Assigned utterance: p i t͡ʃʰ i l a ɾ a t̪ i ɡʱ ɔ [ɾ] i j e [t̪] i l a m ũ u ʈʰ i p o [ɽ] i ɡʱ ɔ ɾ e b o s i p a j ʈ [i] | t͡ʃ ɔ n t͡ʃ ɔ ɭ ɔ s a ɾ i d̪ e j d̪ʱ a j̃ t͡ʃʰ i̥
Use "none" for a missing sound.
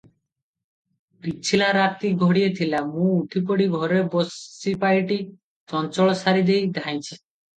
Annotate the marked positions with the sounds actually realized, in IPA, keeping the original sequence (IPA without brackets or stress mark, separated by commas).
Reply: ɽ, t̪ʰ, ɽ, i